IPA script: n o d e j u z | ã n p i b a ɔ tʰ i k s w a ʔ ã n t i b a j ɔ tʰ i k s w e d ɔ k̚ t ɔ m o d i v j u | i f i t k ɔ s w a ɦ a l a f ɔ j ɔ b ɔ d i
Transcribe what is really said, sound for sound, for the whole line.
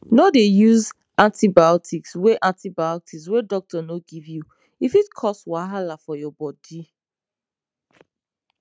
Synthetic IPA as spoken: n o d e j u z | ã n t i b a ɔ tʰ i k s w e ʔ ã n t i b a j ɔ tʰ i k s w e d ɔ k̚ t ɔ n o ɡ i v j u | i f i t kʰ ɔ s w a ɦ a l a f ɔ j ɔ b ɔ d i

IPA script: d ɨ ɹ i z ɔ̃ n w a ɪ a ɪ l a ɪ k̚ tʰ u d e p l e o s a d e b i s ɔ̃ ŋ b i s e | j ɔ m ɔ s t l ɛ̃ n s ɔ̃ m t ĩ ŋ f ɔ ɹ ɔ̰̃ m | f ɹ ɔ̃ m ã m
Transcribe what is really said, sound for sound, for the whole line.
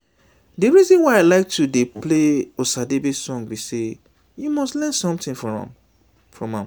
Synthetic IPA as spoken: d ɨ ɹ i z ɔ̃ n w a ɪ a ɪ l a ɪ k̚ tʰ u d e p l e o s a d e b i s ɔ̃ ŋ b i s e | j u m ɔ s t l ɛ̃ n s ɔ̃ m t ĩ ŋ f ɔ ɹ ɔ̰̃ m | f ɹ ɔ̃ m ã m

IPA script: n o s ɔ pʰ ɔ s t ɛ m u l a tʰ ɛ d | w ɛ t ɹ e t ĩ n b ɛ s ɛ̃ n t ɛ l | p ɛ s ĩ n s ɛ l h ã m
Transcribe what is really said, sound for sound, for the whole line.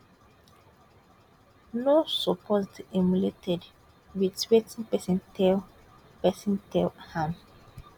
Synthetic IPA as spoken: n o s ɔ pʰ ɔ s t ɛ m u l e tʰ ɛ d | w i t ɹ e t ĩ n p ɛ s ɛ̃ n t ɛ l | p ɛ s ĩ n t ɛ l h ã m

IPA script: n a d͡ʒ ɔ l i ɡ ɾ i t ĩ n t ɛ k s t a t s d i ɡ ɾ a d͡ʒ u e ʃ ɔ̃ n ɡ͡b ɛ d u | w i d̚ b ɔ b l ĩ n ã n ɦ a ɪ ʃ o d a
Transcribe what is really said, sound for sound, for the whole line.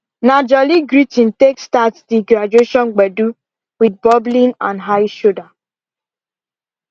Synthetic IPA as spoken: n a d͡ʒ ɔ l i ɡ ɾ i t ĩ n t e k s t a t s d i ɡ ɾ a d͡ʒ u e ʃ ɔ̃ n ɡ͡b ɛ d u | w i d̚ b ɔ b l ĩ n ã n ɦ a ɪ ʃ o d a

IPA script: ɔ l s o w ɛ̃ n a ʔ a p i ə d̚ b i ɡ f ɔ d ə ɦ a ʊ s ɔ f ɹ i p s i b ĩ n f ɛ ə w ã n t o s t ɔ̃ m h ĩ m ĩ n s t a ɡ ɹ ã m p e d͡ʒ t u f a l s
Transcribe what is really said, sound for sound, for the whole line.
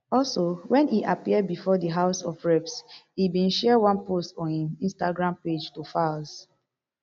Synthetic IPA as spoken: ɔ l s o w ɛ̃ n i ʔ a p i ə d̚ b i f ɔ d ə ɦ a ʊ s ɔ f ɹ ɛ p s i b ĩ n ʃ ɛ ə w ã n p o s t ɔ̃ n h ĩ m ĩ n s t a ɡ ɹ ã m p e d͡ʒ t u f a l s

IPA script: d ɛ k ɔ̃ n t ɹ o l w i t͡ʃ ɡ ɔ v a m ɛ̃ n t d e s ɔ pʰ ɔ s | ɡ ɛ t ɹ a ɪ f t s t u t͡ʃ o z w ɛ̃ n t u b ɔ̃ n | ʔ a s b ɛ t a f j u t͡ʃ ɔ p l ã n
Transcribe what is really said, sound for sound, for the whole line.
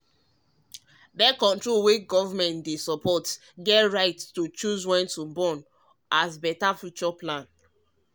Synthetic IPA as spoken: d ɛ k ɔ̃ n t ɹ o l w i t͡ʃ ɡ ɔ v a m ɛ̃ n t d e s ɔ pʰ ɔ t | ɡ ɛ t ɹ a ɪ t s t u t͡ʃ u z w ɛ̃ n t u b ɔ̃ n | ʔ a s b ɛ t a f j u t͡ʃ ɔ p l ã n

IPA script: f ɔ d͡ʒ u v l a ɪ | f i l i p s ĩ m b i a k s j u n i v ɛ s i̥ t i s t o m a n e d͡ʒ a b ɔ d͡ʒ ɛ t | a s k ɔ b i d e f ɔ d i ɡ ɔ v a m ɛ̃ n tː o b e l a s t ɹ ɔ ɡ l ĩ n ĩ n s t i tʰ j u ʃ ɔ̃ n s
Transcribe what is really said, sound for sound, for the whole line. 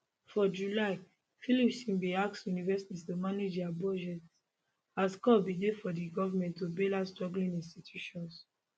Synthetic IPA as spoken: f ɔ d͡ʒ u l a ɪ | f i l i p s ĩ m b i a k s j u n i v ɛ s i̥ t i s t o m a n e d͡ʒ a b ɔ d͡ʒ ɛ t | a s k ɔ b i d e f ɔ d i ɡ ɔ v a m ɛ̃ n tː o b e l a s t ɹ ɔ ɡ l ĩ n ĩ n s t i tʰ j u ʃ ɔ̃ n s

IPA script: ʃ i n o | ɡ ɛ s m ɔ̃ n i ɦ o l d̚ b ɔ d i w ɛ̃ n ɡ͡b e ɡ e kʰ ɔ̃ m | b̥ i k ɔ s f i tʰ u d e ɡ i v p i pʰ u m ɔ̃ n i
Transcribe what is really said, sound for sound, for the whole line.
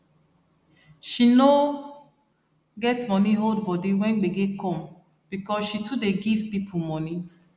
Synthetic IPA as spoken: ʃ i n o | ɡ ɛ t m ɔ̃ n i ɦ o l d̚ b ɔ d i w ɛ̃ n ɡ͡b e ɡ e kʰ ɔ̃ m | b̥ i k ɔ s ʃ i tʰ u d e ɡ i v p i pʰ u m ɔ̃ n i

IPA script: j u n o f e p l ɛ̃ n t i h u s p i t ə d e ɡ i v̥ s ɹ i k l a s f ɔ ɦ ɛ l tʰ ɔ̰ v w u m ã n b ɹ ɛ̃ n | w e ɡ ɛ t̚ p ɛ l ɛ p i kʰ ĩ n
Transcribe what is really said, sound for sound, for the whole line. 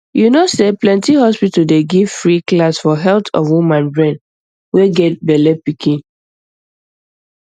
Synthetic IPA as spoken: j u n o s e p l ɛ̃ n t i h ɔ s p i t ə d e ɡ i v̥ f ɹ i k l a s f ɔ ɦ ɛ l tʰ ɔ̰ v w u m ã n b ɹ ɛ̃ n | w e ɡ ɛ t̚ b ɛ l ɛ p i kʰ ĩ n

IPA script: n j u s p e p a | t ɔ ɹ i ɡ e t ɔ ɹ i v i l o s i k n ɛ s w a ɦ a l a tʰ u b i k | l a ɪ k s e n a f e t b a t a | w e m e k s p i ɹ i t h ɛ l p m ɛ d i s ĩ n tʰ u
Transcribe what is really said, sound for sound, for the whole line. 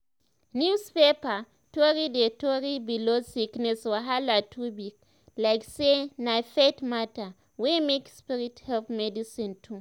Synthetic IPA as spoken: n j u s p e p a | t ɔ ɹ i d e t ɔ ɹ i b i l o s i k n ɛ s w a ɦ a l a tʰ u b i k | l a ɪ k s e n a f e t m a t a | w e m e k s p i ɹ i t h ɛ l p m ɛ d i s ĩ n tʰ u

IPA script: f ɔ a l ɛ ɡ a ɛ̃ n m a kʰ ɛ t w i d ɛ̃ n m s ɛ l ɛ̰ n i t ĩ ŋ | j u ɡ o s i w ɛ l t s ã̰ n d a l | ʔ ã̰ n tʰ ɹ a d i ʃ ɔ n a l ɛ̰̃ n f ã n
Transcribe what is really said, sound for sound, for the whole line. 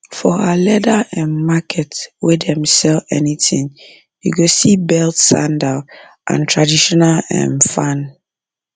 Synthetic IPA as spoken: f ɔ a l ɛ d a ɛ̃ n m a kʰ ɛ t w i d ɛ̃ m s ɛ l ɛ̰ n i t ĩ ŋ | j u ɡ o s i b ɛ l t s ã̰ n d a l | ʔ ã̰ n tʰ ɹ a d i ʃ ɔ n a l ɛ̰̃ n f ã n

